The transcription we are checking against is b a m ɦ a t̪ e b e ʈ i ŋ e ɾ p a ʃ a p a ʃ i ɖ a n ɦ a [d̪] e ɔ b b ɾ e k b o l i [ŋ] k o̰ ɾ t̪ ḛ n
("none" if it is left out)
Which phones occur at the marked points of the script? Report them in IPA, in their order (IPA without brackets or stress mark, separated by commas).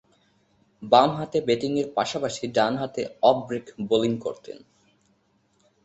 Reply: t̪, ŋ